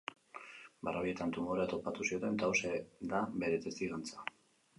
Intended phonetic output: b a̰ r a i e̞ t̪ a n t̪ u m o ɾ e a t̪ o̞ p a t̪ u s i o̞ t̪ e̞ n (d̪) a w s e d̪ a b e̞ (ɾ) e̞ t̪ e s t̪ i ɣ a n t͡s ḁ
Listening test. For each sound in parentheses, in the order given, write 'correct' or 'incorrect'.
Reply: incorrect: t̪, correct

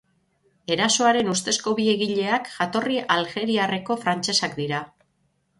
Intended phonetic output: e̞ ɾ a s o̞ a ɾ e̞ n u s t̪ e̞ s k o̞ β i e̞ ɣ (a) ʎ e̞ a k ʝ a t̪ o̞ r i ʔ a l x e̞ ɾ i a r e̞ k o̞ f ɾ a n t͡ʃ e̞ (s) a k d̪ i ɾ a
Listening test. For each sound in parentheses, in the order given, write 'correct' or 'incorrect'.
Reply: incorrect: i, correct

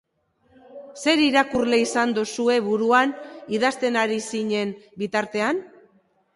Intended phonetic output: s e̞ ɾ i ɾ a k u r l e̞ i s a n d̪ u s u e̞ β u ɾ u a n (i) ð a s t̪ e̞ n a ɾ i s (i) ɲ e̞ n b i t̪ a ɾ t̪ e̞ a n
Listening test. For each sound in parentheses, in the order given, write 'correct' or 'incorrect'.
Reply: correct, correct

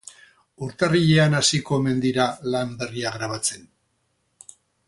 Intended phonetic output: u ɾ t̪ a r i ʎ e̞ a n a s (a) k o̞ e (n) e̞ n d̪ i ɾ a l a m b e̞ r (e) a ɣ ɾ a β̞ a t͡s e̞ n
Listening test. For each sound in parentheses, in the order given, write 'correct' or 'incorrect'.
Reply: incorrect: i, incorrect: m, incorrect: i

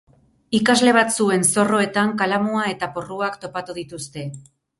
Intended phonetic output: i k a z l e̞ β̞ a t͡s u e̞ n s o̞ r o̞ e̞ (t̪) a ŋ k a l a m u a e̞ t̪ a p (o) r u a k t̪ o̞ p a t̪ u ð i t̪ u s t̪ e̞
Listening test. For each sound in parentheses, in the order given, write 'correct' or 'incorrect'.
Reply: correct, correct

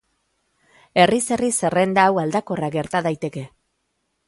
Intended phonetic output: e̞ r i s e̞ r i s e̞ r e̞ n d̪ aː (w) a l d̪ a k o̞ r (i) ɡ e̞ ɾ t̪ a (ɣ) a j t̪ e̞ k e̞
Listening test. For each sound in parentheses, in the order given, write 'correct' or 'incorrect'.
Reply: correct, incorrect: a, incorrect: ð

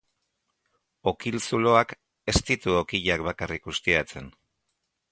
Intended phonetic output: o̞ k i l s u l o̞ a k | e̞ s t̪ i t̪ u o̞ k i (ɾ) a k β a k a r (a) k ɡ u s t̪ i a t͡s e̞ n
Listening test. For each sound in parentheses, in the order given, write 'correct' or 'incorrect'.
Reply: incorrect: ʎ, incorrect: i

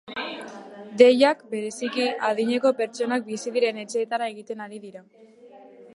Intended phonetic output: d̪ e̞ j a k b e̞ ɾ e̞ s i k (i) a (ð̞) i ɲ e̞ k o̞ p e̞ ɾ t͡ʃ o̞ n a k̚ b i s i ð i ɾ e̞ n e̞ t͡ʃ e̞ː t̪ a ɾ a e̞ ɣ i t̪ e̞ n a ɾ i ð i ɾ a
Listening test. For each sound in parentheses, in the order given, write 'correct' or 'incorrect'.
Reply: correct, correct

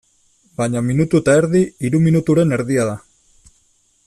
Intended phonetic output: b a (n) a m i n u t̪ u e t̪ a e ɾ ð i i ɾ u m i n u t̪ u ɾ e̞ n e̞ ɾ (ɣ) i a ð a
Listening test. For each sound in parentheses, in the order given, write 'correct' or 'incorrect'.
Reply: incorrect: ɲ, incorrect: ð

